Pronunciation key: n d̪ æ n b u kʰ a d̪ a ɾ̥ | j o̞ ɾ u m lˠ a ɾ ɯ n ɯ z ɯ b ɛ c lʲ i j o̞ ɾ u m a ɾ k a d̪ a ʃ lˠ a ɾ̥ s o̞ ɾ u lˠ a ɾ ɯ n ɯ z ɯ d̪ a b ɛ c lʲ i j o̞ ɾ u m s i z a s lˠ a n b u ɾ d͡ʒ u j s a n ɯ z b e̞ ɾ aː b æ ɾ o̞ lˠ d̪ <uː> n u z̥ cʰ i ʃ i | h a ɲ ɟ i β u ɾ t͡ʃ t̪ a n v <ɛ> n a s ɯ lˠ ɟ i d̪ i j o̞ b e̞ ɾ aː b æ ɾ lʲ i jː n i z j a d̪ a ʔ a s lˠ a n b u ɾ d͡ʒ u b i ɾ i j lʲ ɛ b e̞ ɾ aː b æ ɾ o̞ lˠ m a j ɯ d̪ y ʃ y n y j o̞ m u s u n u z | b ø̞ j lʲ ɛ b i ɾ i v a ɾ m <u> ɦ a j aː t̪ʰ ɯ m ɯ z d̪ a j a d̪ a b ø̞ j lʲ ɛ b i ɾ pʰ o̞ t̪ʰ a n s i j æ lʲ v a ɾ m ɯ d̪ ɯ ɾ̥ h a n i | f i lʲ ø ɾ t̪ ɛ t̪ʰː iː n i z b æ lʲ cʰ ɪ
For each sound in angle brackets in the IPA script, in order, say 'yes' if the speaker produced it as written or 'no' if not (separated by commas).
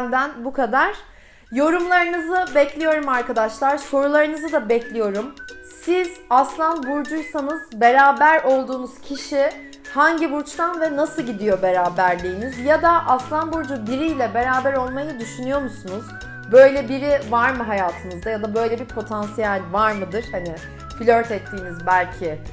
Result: yes, yes, no